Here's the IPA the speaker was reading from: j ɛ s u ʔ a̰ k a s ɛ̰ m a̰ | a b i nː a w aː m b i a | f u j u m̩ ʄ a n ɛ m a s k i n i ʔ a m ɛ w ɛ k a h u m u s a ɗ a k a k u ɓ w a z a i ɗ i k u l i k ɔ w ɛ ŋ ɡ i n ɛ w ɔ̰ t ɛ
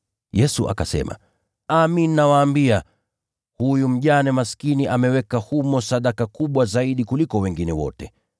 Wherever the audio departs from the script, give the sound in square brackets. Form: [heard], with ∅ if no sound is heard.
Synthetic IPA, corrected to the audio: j ɛ s u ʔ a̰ k a s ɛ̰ m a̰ | a [m] i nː a w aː m b i a | [h] u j u m̩ ʄ a n ɛ m a s k i n i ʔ a m ɛ w ɛ k a h u m [ɔ] s a ɗ a k a k u ɓ w a z a i ɗ i k u l i k ɔ w ɛ ŋ ɡ i n ɛ w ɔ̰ t ɛ